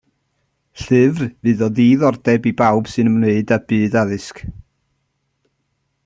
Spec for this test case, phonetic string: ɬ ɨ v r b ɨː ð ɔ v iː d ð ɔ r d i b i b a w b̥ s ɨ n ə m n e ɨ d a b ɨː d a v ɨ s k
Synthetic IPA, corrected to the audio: ɬ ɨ v r v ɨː ð ɔ ð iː ð ɔ r d ɛ b i b a w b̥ s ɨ n ə m n e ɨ d a b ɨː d a ð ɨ s k